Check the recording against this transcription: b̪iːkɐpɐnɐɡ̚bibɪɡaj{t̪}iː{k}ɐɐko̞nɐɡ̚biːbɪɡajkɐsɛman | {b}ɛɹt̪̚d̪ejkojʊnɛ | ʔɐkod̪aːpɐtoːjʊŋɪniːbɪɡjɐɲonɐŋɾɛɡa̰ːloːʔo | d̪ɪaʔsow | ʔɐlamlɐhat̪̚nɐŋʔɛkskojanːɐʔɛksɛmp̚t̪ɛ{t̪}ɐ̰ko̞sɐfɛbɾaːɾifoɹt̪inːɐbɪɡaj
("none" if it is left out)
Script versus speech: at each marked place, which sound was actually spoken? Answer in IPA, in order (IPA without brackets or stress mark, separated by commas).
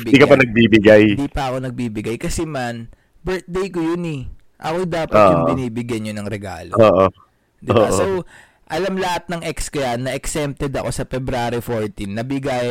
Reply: d̪, p, b, d̪